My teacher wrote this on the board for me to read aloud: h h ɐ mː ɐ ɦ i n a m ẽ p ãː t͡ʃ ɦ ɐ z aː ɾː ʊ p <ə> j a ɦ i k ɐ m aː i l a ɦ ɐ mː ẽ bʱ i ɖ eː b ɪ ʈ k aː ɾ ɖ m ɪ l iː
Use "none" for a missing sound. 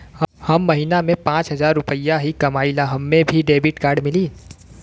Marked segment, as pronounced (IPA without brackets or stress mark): ə